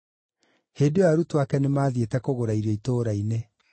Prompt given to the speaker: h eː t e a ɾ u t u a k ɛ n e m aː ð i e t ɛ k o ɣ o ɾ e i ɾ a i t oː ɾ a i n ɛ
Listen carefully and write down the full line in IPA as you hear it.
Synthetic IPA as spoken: h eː d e a ɾ u t w a k ɛ n e m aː ð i e t ɛ k o ɣ o ɾ a i ɾ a i t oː ɾ a i n e